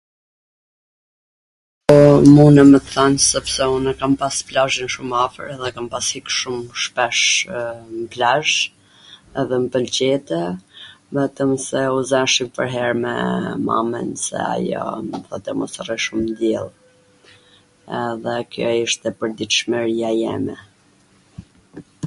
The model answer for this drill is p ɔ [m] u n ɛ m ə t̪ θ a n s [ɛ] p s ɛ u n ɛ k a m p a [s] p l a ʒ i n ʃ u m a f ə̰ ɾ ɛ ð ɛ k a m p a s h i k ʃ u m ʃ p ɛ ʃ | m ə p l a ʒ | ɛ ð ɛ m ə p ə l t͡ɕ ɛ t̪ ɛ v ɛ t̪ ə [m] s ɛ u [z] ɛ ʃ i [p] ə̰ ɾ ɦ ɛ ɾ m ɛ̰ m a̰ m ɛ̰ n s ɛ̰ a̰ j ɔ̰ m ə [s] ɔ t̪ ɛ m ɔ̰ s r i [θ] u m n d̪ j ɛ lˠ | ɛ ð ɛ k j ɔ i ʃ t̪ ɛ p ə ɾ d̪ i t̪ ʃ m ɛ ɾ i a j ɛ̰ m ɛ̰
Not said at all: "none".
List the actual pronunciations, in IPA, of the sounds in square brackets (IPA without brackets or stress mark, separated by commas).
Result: m, ɛ, s, m, z, p, θ, ʃ